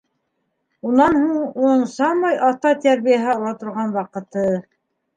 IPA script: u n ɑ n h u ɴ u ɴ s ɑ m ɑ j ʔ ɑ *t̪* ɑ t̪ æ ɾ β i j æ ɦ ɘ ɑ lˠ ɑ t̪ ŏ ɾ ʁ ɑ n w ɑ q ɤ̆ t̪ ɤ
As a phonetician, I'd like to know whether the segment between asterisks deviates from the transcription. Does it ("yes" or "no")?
no